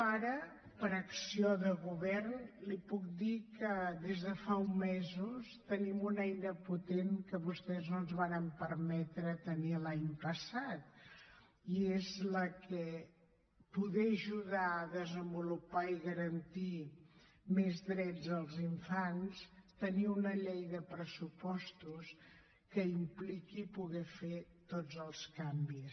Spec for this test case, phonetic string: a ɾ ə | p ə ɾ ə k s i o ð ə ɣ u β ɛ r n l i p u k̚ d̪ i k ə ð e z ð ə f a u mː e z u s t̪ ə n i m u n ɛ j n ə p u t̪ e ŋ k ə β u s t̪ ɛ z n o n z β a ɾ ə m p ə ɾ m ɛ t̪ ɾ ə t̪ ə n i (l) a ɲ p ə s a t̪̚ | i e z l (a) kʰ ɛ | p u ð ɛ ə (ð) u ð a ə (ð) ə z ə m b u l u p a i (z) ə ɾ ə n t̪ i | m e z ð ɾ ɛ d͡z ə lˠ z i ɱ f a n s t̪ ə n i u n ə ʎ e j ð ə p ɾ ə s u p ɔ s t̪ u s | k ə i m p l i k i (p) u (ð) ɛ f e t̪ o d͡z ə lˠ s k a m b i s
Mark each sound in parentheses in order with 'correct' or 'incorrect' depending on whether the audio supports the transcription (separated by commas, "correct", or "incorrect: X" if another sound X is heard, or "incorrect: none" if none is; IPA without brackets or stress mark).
correct, incorrect: ə, incorrect: ʒ, correct, incorrect: ɣ, correct, incorrect: ɣ